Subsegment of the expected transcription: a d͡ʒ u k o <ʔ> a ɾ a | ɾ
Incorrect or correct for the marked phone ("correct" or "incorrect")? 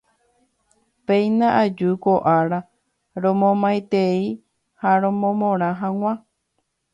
correct